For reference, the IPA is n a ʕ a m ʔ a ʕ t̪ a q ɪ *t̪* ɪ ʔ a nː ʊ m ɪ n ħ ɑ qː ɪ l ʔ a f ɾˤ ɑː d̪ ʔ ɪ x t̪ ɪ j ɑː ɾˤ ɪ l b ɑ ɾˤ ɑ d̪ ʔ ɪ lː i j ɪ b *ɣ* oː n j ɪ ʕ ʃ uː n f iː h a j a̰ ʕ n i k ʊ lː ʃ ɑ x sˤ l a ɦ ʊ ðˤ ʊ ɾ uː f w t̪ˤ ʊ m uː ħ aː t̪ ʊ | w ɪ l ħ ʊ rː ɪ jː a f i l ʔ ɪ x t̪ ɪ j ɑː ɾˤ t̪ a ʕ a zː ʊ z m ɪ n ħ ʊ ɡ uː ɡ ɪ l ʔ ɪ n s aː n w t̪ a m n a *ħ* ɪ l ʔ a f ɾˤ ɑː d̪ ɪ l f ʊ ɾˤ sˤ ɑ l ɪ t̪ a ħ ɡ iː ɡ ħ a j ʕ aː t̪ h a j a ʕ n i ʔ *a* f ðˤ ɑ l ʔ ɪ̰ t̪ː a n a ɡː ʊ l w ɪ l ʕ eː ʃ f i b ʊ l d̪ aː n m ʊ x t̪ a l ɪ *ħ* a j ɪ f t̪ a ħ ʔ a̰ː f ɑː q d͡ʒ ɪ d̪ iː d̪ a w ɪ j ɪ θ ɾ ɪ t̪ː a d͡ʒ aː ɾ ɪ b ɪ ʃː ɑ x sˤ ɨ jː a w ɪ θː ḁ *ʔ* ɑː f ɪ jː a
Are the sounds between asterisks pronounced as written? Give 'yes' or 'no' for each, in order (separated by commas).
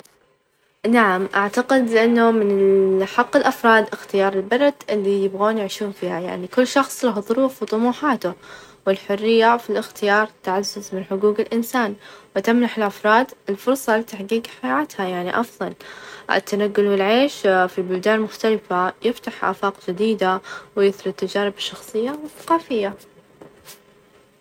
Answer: no, yes, yes, no, no, no